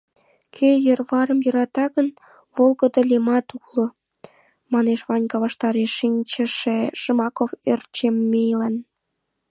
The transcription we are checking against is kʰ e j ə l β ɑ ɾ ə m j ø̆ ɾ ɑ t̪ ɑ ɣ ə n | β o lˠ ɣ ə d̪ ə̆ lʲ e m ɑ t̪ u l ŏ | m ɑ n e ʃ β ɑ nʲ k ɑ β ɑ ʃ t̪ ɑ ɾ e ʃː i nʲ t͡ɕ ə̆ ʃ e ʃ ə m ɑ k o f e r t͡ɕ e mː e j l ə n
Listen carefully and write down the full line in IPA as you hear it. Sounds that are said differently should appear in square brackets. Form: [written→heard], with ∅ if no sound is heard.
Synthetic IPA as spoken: kʰ e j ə [l→r] β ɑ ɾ ə m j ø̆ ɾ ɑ t̪ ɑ ɣ ə n | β o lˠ ɣ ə d̪ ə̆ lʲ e m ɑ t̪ u l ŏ | m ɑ n e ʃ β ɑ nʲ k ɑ β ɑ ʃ t̪ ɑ ɾ e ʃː i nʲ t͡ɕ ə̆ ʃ e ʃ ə m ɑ k o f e r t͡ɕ e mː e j l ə n